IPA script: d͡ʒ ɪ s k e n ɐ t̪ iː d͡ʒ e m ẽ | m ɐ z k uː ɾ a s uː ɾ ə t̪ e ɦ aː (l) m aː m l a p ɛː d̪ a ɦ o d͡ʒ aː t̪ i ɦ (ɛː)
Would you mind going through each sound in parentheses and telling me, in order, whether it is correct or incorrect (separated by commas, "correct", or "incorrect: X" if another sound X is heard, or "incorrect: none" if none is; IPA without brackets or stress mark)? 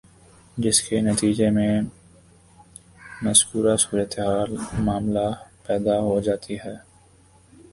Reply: correct, correct